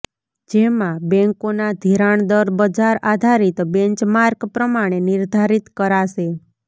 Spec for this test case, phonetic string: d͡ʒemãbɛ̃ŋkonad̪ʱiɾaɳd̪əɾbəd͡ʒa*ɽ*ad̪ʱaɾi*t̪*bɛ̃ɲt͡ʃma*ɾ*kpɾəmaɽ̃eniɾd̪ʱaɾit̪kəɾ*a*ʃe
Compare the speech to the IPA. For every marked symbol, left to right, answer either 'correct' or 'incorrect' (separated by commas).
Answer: incorrect, correct, correct, correct